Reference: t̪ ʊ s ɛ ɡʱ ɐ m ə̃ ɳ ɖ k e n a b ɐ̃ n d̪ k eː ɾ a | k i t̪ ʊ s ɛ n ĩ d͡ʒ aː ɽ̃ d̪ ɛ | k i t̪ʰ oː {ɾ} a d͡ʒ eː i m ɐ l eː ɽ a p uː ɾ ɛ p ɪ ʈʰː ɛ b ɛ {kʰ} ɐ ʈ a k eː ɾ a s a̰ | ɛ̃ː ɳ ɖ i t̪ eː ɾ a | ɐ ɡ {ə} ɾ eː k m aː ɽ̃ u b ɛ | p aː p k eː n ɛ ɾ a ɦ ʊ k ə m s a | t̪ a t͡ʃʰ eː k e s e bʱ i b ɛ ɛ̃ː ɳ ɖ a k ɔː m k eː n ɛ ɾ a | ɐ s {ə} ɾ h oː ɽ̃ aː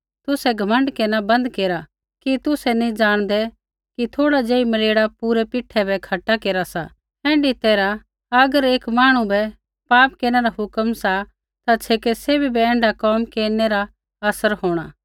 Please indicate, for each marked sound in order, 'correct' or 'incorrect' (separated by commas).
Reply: incorrect, correct, correct, correct